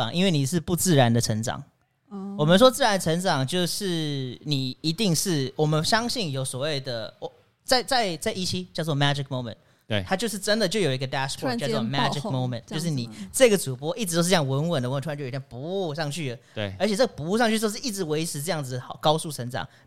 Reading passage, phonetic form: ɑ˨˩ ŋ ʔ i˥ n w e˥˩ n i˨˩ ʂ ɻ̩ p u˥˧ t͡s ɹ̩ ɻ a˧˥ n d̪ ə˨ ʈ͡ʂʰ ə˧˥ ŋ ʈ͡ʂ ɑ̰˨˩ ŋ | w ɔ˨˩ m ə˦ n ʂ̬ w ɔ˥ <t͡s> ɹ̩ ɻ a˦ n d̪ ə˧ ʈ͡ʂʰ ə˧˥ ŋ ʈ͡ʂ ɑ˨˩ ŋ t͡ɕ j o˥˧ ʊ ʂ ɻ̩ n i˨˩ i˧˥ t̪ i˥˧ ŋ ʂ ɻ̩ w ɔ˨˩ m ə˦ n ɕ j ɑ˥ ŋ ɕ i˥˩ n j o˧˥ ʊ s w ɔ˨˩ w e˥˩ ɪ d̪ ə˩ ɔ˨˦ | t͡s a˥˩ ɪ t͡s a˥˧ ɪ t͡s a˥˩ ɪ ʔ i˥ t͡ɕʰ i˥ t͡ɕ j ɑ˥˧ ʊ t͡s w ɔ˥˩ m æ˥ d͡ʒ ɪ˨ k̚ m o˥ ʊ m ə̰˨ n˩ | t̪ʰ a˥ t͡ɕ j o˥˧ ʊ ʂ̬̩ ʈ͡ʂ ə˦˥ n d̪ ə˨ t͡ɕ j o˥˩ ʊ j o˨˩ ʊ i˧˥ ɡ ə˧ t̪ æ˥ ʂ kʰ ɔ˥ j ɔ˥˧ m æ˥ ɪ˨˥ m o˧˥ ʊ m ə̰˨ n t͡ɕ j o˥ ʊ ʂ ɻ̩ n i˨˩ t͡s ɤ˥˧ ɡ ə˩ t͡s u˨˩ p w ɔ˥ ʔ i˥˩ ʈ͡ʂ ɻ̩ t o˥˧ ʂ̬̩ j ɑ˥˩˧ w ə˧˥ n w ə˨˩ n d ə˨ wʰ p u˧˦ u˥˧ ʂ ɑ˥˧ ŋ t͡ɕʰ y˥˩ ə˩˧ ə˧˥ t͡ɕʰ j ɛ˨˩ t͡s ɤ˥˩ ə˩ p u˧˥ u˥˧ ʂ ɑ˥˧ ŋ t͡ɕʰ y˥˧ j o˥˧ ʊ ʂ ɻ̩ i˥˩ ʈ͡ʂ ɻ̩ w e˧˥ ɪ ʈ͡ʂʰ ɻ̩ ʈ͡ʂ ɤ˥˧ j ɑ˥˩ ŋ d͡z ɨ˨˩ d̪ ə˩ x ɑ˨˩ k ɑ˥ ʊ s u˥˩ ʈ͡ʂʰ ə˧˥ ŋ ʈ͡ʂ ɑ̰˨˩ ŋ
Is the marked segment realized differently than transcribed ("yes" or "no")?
no